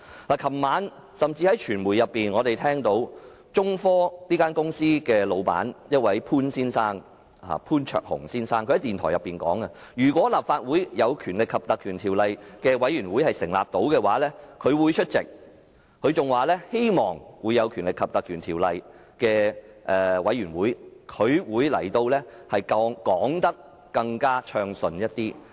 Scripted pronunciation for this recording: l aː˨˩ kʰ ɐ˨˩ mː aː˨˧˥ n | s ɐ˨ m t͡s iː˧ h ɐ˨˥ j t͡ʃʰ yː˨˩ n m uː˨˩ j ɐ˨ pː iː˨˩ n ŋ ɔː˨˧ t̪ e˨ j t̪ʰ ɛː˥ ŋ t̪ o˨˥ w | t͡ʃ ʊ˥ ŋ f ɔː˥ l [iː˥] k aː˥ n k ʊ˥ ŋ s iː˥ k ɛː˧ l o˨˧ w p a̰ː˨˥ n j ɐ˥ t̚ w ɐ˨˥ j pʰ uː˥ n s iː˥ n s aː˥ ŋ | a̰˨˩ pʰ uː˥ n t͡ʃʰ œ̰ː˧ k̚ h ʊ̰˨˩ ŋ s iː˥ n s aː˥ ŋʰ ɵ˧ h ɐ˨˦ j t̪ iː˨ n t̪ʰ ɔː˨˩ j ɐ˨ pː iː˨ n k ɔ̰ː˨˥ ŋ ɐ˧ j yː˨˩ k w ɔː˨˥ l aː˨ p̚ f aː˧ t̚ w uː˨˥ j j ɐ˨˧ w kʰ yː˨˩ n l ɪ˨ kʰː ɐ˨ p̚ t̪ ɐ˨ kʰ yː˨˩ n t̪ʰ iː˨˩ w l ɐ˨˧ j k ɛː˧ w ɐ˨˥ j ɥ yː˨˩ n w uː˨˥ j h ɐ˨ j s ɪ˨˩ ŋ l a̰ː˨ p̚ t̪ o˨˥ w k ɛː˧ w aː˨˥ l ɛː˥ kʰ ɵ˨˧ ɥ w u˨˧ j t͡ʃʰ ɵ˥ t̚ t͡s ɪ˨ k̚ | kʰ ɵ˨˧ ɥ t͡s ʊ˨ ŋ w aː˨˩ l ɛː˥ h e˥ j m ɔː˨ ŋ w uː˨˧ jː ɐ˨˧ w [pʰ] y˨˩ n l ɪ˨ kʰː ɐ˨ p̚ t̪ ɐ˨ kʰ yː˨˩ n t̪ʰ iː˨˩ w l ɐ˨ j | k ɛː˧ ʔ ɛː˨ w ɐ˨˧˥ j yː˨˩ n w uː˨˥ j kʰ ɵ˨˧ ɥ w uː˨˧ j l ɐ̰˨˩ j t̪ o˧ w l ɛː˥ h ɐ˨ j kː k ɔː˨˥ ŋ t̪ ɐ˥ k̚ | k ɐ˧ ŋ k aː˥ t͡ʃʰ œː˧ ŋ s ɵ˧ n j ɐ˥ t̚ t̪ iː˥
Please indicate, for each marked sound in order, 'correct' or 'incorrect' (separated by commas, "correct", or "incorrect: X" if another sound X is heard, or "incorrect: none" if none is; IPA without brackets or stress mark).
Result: correct, incorrect: kʰ